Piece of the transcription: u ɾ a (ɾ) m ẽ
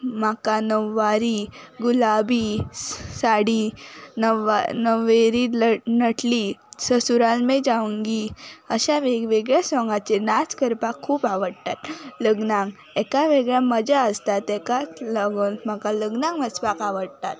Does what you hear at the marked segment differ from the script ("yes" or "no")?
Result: yes